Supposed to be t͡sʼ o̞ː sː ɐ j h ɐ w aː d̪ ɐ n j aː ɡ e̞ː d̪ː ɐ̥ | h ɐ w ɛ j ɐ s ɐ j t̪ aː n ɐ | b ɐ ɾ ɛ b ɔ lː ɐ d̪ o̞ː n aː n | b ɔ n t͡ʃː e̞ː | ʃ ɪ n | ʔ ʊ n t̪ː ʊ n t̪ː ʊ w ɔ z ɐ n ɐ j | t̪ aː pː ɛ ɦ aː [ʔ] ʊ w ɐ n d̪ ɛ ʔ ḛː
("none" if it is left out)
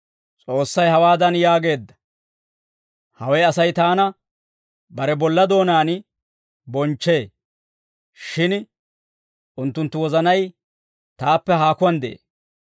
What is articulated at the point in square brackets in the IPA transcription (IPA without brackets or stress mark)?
k